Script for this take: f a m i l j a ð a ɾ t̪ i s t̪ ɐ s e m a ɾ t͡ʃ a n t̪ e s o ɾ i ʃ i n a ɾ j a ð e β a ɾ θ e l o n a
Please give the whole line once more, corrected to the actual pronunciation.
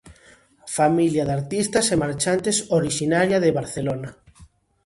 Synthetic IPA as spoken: f a m i l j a ð a ɾ t̪ i s t̪ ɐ s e m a ɾ t͡ʃ a n t̪ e s o ɾ i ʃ i n a ɾ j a ð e β a ɾ θ e l o n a